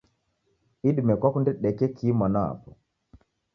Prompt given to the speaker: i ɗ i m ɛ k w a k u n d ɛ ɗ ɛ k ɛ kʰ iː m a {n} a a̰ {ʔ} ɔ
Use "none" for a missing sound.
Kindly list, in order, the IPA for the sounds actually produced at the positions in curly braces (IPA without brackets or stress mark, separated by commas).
n, p